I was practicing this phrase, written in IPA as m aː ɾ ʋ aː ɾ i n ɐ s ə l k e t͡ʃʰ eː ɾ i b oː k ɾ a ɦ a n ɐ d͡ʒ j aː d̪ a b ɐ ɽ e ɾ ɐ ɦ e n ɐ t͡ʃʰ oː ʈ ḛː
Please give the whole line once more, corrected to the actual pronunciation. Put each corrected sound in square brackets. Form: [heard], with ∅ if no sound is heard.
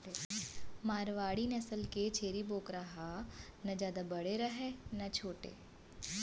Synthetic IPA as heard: m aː ɾ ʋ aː [ɽ] i n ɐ s ə l k e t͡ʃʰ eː ɾ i b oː k ɾ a ɦ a n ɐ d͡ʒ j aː d̪ a b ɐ ɽ e ɾ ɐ ɦ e n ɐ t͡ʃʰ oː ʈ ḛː